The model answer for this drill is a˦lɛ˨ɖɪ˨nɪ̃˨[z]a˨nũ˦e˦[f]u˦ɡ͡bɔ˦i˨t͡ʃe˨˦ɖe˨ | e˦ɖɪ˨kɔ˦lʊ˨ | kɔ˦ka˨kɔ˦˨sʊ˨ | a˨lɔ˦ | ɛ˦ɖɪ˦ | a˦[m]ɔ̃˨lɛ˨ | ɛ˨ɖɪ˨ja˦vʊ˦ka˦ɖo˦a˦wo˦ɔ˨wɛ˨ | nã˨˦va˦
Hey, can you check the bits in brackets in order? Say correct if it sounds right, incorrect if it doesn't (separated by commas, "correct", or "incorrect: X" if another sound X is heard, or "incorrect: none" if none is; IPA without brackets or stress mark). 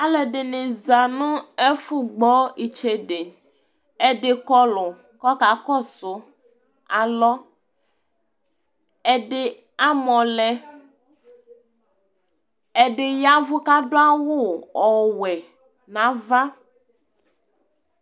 correct, correct, correct